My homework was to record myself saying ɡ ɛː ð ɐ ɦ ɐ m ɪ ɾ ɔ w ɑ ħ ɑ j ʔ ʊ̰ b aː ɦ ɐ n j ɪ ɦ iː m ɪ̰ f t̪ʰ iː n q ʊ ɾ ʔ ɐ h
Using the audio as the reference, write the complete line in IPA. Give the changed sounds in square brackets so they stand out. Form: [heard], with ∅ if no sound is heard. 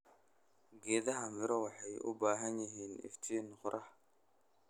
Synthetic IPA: ɡ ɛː ð ɐ ɦ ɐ m ɪ ɾ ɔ w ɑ ħ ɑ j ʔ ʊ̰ b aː ɦ ɐ n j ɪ ɦ iː [n] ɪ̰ f t̪ʰ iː n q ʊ ɾ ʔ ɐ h